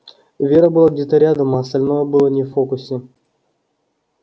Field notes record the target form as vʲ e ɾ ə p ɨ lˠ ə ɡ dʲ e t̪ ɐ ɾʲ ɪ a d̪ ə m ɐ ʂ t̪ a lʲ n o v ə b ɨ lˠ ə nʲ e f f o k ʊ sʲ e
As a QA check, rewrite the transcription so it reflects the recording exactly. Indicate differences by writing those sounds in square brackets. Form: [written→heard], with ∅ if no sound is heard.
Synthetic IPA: vʲ e ɾ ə [p→b] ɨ lˠ [ə→a] ɡ dʲ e t̪ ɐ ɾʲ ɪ a d̪ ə m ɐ [ʂ→s] t̪ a lʲ n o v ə b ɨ lˠ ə nʲ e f f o k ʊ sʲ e